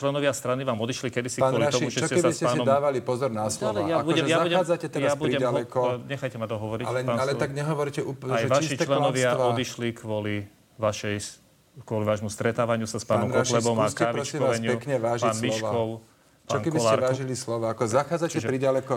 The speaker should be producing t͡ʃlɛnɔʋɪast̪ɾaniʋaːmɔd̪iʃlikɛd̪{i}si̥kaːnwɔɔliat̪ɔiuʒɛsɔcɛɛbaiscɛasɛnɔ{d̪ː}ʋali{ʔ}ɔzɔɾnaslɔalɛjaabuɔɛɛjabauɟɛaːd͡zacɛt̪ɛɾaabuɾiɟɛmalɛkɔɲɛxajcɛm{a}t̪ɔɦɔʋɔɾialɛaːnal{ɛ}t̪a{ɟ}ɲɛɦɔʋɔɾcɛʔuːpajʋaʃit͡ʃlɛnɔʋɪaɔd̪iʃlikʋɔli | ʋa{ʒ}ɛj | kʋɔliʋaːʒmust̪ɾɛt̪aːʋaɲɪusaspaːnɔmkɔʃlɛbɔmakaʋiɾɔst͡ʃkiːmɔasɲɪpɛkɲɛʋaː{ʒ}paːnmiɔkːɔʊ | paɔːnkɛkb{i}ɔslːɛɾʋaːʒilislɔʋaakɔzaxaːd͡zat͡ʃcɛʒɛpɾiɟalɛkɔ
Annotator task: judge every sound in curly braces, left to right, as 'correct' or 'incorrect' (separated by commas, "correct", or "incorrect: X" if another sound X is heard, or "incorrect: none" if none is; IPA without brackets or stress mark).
correct, correct, incorrect: p, correct, correct, incorrect: ɡ, incorrect: ʃ, correct, correct